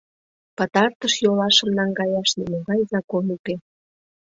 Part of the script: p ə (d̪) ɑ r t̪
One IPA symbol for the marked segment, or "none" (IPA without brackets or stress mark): t̪